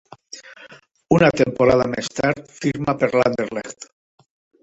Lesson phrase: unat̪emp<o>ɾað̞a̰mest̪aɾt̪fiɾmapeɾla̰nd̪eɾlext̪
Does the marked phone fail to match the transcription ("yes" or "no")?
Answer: no